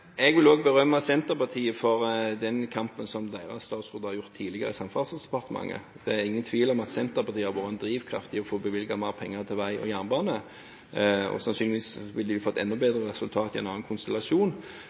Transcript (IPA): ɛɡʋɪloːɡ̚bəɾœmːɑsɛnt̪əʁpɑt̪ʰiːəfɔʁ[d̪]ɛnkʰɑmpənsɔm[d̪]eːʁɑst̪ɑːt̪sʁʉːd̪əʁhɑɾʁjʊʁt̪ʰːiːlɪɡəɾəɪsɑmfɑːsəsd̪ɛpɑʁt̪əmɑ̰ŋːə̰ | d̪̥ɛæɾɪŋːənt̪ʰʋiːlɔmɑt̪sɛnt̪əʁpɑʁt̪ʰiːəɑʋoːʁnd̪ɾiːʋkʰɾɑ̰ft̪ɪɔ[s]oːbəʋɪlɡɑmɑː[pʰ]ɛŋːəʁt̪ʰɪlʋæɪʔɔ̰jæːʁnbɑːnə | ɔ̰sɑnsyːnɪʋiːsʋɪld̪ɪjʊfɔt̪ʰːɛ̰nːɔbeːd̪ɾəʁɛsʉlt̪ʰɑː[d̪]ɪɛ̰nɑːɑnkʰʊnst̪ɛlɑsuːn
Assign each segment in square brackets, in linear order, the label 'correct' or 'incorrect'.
correct, correct, incorrect: f, correct, incorrect: t̪

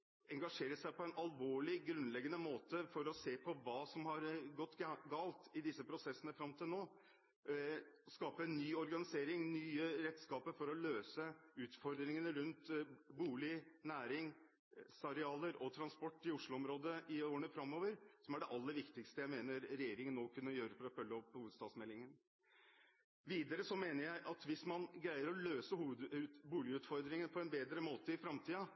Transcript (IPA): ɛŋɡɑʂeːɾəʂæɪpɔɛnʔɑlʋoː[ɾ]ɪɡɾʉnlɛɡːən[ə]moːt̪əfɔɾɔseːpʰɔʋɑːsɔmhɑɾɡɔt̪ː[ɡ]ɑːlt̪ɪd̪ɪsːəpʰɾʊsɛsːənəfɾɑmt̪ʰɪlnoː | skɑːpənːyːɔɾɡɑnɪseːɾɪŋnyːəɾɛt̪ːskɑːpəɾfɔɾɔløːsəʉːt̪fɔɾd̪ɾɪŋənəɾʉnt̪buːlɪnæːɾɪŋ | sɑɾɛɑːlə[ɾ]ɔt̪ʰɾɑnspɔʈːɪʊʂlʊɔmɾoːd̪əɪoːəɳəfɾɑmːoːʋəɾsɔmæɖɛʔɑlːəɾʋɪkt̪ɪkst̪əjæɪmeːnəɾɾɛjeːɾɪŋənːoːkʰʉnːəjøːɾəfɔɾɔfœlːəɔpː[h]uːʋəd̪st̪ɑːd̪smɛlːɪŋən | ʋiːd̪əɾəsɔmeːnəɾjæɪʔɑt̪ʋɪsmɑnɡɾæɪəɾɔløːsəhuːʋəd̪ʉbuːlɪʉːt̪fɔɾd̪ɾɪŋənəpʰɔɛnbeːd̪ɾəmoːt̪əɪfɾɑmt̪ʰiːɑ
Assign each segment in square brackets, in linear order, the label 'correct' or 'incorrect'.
incorrect: ɭ, correct, correct, correct, correct

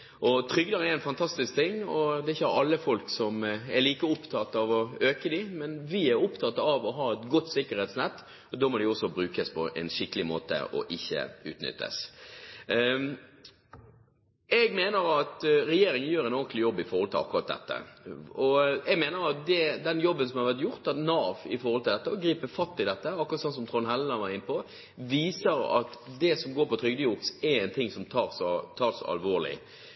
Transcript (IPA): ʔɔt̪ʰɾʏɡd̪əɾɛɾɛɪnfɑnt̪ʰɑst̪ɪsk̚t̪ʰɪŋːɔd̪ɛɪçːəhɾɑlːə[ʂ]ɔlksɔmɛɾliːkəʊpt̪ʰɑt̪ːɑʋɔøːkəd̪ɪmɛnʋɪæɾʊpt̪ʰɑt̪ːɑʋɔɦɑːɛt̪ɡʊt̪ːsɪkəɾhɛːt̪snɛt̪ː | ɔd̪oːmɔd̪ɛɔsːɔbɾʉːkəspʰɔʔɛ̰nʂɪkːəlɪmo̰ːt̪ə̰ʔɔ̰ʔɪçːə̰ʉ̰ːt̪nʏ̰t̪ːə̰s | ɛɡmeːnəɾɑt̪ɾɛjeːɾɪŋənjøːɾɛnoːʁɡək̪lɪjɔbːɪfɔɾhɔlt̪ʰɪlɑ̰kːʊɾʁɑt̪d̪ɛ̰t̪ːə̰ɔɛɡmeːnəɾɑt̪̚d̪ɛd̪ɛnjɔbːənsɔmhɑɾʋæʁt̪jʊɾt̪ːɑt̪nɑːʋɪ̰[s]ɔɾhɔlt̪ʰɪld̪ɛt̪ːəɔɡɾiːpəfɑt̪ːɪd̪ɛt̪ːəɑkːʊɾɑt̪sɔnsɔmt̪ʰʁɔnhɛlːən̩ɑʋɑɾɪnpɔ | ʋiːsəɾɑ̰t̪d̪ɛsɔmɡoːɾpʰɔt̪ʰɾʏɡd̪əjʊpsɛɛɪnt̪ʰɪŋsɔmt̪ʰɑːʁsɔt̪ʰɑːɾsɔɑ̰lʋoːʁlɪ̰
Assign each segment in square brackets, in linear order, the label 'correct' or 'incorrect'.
incorrect: f, incorrect: f

